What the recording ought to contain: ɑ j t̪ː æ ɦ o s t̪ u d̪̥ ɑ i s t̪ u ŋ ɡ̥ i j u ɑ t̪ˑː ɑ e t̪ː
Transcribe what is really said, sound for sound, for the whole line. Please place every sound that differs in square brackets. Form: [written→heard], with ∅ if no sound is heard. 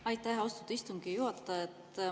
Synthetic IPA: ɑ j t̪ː æ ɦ o s t̪ u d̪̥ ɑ i s t̪ u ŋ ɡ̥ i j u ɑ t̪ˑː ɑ e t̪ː